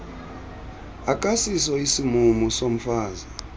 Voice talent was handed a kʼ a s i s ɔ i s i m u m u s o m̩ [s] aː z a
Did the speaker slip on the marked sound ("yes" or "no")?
yes